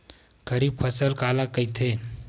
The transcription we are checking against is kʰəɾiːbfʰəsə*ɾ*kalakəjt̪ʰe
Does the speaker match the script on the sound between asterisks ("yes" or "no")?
no